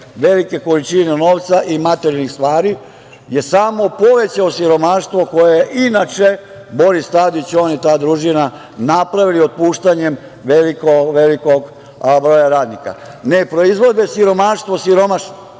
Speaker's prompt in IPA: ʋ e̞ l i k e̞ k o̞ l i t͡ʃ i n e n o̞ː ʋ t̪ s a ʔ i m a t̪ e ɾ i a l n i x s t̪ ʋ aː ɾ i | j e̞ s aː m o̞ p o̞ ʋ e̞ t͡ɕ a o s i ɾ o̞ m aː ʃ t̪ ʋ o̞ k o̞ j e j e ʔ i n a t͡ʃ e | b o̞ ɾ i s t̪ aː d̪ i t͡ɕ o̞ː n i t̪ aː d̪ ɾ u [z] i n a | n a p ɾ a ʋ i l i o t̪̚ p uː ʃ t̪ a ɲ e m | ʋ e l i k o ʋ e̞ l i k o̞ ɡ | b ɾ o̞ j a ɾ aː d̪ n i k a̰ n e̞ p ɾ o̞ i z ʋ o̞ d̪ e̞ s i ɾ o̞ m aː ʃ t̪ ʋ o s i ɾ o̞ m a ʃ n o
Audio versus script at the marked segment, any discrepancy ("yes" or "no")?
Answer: yes